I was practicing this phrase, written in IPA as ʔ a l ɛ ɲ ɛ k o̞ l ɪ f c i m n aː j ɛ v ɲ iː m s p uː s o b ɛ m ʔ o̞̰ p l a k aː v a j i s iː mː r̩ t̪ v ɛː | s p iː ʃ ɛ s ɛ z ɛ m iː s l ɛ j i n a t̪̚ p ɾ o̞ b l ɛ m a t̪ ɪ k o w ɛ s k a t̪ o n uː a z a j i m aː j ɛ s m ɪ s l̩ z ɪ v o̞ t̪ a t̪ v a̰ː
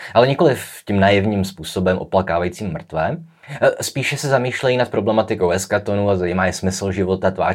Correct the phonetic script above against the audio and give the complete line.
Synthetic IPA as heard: ʔ a l ɛ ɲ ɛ k o̞ l ɪ f c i m n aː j ɛ v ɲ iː m s p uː s o b ɛ m ʔ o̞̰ p l a k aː v a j i t͡s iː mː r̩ t̪ v ɛː | s p iː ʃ ɛ s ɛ z a m iː ʃ l ɛ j i n a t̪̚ p ɾ o̞ b l ɛ m a t̪ ɪ k o w ɛ s k a t̪ o n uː a z a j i m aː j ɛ s m ɪ s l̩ ʒ ɪ v o̞ t̪ a t̪ v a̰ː